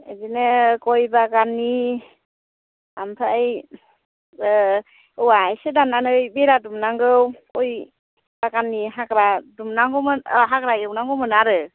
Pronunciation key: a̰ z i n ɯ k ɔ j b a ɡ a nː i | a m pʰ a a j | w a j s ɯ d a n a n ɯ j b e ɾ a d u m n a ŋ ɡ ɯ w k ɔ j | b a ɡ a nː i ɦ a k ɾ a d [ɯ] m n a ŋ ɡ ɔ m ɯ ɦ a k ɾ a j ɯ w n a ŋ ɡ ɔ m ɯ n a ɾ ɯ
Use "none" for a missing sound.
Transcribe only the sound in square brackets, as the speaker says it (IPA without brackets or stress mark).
u